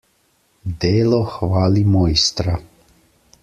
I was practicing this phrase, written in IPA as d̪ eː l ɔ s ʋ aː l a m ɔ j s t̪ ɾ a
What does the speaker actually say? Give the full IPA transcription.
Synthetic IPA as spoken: d̪ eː l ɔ x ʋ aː l i m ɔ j s t̪ ɾ a